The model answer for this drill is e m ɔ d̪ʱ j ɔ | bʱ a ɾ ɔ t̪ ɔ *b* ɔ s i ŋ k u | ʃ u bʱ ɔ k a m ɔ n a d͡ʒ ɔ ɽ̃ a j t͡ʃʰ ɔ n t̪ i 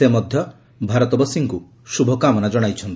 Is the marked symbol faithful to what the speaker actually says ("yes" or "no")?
yes